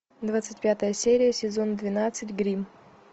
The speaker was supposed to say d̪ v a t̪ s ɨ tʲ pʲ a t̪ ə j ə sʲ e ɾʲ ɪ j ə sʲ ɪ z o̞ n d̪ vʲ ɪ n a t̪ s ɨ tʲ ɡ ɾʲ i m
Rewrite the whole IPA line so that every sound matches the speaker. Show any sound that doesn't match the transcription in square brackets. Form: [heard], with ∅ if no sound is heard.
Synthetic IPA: d̪ v a t̪ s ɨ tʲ pʲ a t̪ ə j ə sʲ e ɾʲ ɪ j ə sʲ ɪ z o̞ n d̪ vʲ ɪ n a t̪ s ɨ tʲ ɡ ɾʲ i m